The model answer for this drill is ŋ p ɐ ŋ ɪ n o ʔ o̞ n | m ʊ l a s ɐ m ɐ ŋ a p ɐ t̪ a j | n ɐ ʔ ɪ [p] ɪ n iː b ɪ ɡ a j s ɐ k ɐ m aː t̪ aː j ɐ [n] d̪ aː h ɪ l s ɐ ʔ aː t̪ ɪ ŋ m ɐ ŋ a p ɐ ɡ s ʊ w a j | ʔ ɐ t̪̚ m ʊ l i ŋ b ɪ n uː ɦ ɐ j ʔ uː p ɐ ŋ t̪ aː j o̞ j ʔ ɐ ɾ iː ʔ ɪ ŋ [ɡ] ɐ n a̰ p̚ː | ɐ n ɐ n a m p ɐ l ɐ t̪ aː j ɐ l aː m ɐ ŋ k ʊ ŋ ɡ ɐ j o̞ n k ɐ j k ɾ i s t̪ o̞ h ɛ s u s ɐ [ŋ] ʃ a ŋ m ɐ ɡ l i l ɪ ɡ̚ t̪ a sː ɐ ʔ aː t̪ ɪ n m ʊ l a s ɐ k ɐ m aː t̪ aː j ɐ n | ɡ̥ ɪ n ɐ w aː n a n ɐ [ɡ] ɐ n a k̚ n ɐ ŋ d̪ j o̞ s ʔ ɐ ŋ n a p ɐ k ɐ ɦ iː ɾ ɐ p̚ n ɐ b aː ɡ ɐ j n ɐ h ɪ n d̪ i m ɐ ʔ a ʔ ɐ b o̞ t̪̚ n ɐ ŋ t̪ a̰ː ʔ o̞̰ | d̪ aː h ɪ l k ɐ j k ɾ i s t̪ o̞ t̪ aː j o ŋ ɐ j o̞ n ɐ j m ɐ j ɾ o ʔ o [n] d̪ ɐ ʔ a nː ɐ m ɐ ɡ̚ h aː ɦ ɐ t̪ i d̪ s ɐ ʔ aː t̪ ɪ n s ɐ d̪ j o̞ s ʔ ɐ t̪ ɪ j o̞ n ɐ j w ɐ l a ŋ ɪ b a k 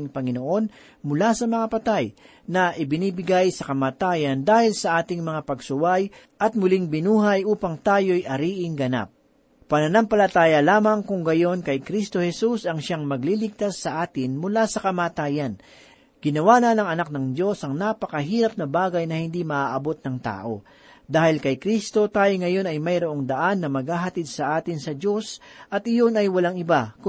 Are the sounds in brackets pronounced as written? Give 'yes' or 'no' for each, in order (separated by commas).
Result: no, yes, yes, yes, no, no